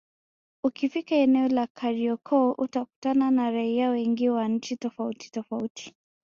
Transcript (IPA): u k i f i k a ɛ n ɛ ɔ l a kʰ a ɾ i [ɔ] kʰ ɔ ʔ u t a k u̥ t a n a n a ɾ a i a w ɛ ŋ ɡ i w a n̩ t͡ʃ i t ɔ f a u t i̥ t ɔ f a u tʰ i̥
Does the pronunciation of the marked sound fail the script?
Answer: no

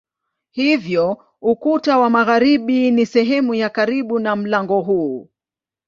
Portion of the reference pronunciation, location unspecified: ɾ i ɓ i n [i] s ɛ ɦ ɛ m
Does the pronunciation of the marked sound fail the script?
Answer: no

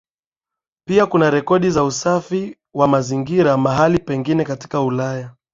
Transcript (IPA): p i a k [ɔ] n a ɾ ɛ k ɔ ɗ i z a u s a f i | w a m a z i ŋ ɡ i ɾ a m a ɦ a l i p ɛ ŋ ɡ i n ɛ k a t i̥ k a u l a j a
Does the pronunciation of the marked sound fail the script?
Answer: yes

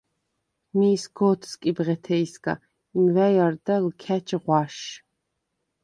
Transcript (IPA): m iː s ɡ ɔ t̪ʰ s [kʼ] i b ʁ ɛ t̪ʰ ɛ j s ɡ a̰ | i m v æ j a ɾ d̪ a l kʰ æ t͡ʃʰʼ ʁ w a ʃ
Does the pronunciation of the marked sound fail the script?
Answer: no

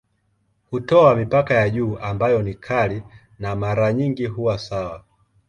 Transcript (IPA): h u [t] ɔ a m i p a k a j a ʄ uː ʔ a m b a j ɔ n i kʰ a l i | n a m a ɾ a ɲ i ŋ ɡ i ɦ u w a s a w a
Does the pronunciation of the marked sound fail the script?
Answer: no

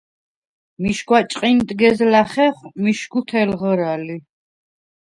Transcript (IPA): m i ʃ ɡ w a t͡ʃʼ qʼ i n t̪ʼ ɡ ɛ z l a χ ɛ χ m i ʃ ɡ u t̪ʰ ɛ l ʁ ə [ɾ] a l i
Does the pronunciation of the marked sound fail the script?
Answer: no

